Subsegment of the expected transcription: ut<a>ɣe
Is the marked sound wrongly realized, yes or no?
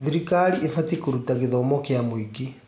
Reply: no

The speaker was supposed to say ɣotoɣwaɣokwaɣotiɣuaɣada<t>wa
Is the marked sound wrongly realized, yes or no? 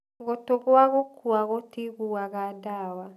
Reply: yes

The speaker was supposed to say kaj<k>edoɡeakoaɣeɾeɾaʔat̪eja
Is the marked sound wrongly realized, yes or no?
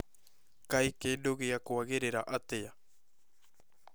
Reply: no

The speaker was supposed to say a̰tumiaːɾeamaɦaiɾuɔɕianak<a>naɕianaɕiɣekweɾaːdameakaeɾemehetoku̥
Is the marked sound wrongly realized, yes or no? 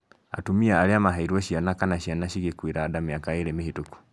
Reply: no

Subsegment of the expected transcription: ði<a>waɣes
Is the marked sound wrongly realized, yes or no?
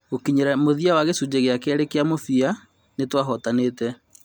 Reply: no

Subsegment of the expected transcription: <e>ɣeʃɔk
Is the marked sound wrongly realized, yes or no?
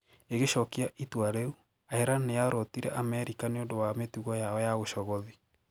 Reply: no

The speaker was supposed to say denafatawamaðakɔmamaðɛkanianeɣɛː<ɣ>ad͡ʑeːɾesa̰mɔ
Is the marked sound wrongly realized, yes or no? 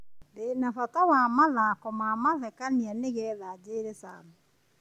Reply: yes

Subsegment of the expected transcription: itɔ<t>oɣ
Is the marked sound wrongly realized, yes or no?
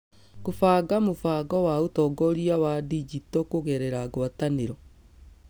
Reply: yes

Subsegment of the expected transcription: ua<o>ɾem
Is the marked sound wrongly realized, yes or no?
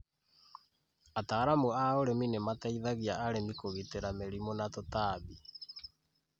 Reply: no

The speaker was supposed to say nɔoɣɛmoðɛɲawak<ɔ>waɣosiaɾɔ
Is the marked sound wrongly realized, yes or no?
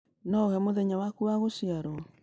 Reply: yes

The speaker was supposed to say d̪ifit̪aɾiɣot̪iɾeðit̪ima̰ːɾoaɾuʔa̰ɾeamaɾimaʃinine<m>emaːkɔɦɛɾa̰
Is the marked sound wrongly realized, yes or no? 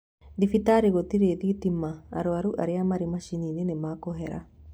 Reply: yes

